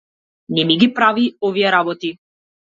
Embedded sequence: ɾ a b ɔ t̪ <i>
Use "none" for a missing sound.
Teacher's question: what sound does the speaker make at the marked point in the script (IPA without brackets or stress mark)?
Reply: i